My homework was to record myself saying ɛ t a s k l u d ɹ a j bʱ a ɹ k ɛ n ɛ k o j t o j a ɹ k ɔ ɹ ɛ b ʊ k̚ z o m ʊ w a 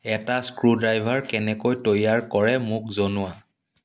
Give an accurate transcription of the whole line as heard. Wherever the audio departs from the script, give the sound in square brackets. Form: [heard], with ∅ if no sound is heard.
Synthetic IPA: ɛ t a s k [ɹ] u d ɹ a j bʱ a ɹ k ɛ n ɛ k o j t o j a ɹ k ɔ ɹ ɛ [m] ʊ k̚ z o [n] ʊ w a